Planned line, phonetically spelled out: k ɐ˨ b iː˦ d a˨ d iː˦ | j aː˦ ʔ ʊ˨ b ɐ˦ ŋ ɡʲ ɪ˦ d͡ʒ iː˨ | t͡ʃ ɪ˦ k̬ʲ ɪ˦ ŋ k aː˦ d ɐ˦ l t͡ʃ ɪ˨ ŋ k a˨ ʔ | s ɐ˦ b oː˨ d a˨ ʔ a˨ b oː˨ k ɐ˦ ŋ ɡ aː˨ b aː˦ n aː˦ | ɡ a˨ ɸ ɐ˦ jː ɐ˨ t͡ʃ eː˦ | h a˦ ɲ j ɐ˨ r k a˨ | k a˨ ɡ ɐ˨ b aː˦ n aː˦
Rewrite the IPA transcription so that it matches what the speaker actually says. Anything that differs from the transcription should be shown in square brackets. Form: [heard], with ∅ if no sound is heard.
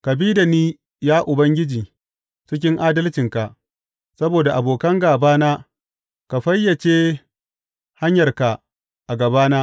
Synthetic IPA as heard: k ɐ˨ b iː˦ d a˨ [n] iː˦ | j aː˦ ʔ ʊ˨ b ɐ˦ ŋ ɡʲ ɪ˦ d͡ʒ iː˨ | t͡ʃ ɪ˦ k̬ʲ ɪ˦ ŋ [ʔ] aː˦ d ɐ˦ l t͡ʃ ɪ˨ ŋ k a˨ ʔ | s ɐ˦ b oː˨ d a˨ ʔ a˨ b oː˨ k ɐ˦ ŋ ɡ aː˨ b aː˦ n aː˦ | [k] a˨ ɸ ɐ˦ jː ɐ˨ t͡ʃ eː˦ | h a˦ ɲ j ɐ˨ r k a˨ | [ʔ] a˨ ɡ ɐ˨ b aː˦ n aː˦